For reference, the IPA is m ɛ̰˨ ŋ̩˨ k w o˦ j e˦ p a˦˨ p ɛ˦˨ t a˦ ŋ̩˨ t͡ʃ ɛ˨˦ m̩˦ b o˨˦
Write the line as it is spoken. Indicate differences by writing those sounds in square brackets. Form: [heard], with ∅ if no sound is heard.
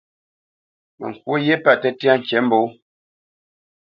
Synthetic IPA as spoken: m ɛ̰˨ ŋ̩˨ k w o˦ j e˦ p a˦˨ [t] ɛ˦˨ t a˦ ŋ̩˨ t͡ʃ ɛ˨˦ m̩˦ b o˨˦